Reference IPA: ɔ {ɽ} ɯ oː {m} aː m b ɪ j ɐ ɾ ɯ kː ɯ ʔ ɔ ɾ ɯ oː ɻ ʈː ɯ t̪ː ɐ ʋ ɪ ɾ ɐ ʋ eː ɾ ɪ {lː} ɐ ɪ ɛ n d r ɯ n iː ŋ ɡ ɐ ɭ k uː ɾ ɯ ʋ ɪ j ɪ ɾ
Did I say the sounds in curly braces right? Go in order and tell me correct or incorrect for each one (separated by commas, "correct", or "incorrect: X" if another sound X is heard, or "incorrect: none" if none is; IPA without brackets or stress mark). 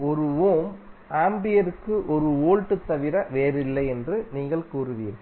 incorrect: ɾ, correct, correct